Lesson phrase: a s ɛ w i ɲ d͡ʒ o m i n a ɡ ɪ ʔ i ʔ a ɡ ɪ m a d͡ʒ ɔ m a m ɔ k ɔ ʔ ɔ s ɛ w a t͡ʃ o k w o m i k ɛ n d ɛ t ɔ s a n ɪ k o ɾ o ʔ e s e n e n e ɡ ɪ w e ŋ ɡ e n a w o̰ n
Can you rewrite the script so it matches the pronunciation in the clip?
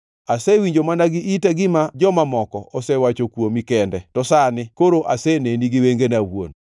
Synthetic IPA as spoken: a s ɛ w i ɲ d͡ʒ o m a n a ɡ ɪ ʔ i t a ɡ ɪ m a d͡ʒ ɔ m a m ɔ k ɔ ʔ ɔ s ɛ w a t͡ʃ o k w o m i k ɛ n d ɛ t ɔ s a n ɪ k o ɾ o ʔ a s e n e n i ɡ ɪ w e ŋ ɡ e n a w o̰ n